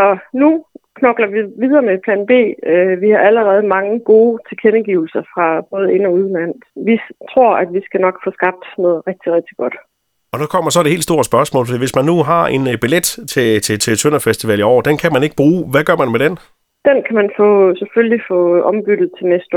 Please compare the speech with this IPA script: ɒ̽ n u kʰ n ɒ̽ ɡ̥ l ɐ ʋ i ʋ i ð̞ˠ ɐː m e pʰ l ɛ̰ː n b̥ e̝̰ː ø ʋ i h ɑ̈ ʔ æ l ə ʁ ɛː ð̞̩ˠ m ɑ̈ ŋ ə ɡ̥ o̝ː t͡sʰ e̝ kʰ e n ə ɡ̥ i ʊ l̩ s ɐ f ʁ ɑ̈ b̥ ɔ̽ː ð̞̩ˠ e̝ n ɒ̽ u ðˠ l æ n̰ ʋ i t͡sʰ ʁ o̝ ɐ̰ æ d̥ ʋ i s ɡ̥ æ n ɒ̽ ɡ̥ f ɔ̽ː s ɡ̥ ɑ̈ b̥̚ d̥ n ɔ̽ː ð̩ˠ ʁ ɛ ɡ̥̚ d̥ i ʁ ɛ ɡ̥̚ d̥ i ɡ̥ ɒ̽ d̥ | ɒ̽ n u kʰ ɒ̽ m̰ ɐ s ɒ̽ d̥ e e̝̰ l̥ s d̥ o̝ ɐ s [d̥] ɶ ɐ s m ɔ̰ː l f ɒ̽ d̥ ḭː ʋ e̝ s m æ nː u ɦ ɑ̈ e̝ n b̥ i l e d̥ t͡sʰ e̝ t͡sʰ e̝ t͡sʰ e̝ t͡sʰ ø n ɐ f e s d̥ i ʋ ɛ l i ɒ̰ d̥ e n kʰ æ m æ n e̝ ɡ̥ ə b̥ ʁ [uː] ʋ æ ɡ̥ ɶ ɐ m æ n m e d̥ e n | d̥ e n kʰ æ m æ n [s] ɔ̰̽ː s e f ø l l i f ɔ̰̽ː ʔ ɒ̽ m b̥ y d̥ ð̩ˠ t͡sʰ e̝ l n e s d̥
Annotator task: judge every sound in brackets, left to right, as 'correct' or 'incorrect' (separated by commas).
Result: incorrect, correct, incorrect